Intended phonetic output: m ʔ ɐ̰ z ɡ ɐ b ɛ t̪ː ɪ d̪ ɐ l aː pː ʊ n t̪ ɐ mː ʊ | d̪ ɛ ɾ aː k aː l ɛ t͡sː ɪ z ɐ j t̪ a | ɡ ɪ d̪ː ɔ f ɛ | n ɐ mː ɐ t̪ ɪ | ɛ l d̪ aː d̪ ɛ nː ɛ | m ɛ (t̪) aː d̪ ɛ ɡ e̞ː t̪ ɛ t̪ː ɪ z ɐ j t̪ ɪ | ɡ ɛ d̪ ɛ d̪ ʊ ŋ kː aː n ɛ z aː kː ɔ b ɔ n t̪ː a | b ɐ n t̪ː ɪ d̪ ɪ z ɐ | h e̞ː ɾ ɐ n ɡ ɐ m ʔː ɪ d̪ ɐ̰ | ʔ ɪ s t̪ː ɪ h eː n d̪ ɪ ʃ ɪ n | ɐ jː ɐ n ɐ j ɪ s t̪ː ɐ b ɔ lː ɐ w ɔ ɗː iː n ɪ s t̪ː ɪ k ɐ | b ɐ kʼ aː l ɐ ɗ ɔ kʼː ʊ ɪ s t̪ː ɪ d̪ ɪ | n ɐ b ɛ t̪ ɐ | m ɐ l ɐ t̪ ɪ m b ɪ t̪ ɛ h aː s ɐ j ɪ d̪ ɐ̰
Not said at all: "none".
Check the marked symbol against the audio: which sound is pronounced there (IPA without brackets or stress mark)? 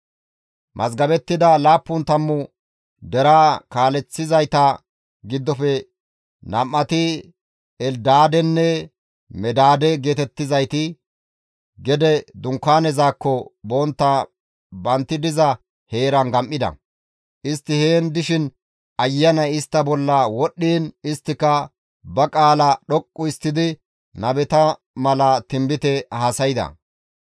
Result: d̪